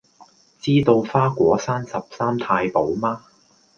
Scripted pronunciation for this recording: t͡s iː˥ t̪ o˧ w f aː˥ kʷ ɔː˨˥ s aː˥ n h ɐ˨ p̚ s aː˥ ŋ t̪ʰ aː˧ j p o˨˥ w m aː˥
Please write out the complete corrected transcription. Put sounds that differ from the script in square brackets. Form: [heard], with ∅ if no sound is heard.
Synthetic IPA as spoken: t͡s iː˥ t̪ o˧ w f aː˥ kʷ ɔː˨˥ s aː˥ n [s] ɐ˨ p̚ s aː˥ [m] t̪ʰ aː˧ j p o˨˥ w m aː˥